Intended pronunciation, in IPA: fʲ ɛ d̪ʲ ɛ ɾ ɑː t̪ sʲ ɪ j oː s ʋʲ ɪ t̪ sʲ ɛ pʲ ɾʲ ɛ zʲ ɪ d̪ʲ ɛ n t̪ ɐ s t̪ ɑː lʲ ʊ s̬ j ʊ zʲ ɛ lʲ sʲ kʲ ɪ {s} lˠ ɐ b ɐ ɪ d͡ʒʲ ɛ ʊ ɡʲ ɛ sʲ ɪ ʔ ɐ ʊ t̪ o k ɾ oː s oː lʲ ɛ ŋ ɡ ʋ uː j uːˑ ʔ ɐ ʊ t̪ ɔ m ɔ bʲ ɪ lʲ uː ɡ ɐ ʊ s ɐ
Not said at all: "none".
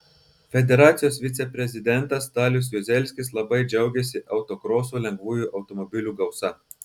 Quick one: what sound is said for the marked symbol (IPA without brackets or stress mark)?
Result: s